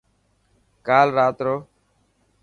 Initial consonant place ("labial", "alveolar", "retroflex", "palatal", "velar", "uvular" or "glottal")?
velar